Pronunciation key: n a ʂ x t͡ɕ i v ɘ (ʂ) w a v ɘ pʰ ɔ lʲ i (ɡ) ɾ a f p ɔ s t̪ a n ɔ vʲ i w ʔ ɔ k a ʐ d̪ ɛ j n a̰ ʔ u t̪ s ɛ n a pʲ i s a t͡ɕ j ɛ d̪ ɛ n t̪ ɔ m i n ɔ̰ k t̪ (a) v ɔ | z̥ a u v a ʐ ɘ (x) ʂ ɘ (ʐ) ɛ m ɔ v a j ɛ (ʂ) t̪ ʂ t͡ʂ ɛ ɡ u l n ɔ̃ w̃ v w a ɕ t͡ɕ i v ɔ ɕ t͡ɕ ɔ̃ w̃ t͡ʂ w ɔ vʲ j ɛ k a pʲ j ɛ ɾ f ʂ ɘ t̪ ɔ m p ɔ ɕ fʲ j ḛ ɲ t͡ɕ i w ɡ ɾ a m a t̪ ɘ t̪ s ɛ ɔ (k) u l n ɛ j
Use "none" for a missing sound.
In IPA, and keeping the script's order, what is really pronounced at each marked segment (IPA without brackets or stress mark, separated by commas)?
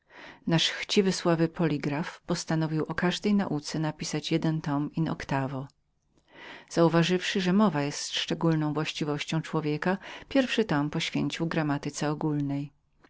s, ɡ, a, f, ʐ, s, ɡ